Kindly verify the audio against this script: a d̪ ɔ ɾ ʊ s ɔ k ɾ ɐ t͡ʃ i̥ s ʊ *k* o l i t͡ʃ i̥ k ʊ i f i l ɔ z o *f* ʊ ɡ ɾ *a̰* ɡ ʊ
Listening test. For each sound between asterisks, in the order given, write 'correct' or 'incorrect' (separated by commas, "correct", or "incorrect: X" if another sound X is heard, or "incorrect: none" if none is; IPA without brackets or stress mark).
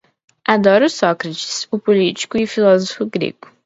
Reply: incorrect: p, correct, incorrect: ḛ